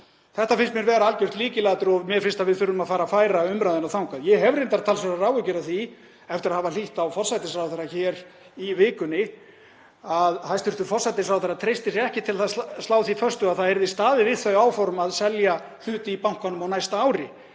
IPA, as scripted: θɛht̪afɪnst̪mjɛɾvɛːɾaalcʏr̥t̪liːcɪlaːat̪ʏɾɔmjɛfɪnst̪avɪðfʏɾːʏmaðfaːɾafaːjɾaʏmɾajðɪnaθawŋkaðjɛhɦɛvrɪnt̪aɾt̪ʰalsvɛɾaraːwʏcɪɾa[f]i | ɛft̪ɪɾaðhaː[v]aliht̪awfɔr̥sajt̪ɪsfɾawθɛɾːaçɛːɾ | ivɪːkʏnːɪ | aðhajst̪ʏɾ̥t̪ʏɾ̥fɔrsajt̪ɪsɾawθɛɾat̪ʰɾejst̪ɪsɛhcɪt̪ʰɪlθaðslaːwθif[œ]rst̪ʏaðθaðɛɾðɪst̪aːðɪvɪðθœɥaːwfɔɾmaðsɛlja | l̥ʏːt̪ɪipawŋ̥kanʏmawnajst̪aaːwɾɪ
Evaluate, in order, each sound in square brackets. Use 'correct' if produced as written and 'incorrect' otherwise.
incorrect, correct, correct

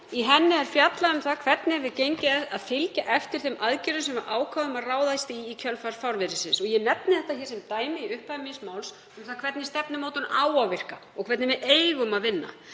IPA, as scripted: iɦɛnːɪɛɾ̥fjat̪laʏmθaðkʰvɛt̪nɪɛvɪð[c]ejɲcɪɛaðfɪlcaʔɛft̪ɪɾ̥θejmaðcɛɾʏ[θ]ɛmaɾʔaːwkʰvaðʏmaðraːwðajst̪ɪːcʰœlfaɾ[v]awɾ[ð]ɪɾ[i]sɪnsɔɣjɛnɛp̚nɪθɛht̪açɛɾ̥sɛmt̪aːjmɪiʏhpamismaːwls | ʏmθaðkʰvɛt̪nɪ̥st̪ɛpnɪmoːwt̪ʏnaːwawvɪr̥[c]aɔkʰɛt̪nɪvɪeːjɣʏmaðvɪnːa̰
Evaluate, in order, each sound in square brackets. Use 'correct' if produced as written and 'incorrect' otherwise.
correct, incorrect, incorrect, incorrect, incorrect, incorrect

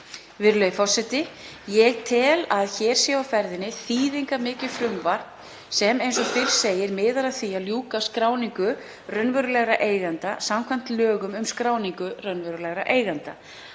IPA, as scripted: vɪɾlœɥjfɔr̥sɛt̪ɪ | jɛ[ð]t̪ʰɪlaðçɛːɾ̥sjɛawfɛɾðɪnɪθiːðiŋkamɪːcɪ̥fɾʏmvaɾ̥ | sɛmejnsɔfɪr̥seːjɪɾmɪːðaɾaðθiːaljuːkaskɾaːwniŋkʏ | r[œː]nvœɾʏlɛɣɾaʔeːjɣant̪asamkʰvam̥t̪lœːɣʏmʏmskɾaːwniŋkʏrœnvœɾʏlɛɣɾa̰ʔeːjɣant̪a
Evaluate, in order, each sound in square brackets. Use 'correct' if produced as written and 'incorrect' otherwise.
incorrect, incorrect

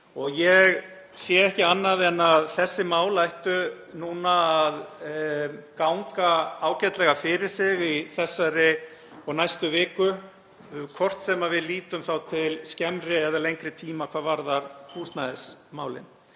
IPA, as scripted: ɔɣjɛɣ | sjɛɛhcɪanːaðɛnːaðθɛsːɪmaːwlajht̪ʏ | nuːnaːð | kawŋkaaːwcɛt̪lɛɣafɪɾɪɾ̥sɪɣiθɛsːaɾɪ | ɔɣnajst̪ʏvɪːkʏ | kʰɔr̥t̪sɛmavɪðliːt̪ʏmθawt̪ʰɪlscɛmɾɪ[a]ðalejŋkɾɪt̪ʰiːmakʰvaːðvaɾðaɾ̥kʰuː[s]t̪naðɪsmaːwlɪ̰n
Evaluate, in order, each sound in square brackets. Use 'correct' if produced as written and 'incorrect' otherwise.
incorrect, correct

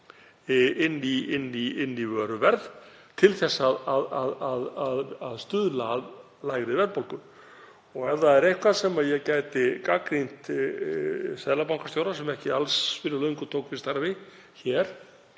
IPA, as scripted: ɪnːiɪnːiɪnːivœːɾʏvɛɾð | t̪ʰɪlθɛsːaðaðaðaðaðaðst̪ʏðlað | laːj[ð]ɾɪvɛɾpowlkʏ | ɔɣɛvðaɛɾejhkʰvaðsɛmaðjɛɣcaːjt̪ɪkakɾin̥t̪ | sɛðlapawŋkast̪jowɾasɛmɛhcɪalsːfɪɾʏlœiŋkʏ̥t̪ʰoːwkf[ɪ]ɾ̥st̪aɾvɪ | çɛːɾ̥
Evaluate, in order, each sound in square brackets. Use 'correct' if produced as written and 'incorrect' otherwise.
incorrect, correct

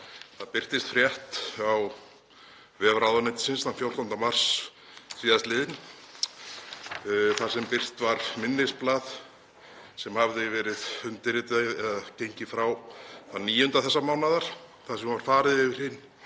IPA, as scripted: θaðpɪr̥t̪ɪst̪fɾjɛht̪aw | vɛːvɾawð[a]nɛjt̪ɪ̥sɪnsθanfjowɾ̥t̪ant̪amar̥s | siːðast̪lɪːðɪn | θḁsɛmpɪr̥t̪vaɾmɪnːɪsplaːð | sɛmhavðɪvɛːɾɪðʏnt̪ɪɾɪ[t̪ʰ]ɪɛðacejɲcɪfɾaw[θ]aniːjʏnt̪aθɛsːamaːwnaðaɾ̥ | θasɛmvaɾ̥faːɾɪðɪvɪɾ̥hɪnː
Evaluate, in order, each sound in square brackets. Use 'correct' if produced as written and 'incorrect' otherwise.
correct, incorrect, correct

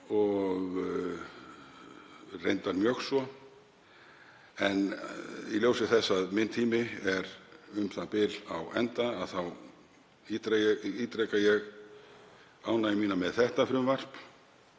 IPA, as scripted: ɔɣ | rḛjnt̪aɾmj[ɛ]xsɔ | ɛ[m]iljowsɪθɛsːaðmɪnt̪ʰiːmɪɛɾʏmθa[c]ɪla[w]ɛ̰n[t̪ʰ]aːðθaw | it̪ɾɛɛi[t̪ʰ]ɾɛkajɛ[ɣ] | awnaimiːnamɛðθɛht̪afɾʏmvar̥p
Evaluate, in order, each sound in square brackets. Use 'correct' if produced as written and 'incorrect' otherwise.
incorrect, incorrect, incorrect, correct, incorrect, incorrect, correct

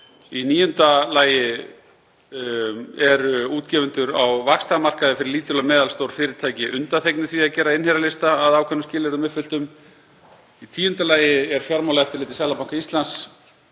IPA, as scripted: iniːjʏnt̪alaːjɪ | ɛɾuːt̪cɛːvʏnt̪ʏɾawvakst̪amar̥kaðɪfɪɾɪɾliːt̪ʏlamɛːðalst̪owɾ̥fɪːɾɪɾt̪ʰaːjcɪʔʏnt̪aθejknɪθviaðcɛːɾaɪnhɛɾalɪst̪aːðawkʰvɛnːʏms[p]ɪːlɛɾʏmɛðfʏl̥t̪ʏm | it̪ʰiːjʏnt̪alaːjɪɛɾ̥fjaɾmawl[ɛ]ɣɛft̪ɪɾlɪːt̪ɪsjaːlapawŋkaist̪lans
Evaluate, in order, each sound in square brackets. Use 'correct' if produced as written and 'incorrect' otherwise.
incorrect, incorrect

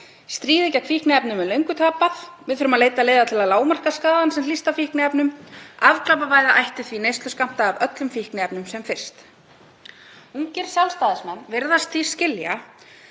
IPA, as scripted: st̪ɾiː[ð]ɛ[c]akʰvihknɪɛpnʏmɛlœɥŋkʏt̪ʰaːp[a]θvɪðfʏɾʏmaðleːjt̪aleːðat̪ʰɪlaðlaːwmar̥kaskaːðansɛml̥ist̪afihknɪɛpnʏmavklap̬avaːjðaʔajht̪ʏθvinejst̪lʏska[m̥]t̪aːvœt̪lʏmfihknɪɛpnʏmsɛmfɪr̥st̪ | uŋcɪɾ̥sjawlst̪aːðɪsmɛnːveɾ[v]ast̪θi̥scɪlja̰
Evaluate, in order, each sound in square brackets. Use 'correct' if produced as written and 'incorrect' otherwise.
correct, correct, correct, correct, incorrect

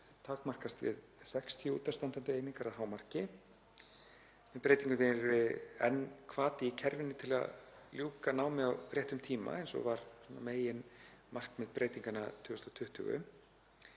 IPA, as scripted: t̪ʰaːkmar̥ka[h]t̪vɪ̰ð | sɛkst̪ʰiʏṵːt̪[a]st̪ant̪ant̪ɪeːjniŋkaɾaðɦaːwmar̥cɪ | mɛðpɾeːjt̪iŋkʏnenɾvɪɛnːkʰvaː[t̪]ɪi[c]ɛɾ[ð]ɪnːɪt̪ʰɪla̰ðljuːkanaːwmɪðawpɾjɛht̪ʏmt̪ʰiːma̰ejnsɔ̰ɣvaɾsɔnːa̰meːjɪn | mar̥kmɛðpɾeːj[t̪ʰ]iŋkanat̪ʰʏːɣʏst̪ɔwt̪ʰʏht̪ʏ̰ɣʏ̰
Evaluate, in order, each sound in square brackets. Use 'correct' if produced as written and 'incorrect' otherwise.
incorrect, correct, correct, incorrect, incorrect, incorrect

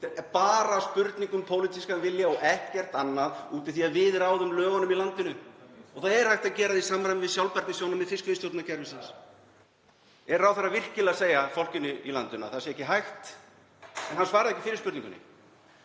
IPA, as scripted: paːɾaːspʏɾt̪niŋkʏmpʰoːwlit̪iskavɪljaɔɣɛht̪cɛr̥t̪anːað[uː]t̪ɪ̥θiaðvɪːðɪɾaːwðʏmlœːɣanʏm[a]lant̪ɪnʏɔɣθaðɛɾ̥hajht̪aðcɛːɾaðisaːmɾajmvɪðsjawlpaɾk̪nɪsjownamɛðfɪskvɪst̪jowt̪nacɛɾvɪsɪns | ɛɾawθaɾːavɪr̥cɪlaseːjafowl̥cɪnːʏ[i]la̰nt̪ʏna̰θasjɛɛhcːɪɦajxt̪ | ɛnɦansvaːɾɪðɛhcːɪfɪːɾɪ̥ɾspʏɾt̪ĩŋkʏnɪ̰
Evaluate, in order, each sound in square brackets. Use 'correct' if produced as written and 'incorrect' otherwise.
correct, incorrect, correct

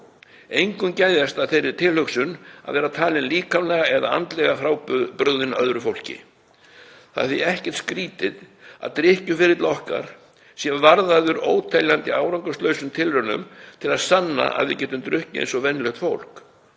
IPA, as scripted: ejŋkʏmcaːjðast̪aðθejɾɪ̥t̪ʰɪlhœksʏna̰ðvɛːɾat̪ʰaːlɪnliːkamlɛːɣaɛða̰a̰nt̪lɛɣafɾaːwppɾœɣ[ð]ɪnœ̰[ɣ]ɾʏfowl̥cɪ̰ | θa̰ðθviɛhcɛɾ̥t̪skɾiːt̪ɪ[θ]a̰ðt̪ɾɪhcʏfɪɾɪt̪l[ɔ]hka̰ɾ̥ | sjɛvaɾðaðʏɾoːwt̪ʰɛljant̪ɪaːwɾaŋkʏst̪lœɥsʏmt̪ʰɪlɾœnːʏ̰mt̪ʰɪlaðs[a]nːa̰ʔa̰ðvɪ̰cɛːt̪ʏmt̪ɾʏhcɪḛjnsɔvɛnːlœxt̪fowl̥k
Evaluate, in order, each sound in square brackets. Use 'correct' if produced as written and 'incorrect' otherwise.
correct, incorrect, incorrect, correct, correct

